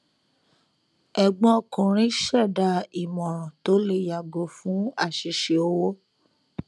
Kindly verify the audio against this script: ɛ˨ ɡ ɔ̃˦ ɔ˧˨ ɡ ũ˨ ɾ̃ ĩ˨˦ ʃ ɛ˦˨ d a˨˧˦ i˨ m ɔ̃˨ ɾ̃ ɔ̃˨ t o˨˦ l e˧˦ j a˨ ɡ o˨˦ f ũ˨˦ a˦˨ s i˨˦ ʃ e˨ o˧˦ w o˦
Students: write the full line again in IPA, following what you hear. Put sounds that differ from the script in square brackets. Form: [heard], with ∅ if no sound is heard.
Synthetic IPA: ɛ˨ [ɡ͡b] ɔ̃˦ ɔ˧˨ [k] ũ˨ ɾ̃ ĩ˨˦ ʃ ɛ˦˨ d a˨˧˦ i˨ m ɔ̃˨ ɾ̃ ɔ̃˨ t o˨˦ l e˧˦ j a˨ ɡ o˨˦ f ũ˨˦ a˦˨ [ʃ] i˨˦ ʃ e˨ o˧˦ w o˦